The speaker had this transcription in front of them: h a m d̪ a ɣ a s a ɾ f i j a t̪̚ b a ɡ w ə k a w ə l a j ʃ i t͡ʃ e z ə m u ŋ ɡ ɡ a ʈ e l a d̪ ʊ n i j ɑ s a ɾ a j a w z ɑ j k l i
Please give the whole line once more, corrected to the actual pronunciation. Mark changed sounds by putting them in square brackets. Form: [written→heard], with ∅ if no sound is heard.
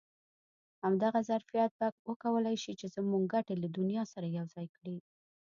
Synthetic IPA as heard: h a m d̪ a ɣ a [s→z] a ɾ f i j a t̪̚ b a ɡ w ə k a w ə l a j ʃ i t͡ʃ e z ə m u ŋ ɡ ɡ a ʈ e l a d̪ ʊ n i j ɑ s a ɾ a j a w z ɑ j k [l→ɽ] i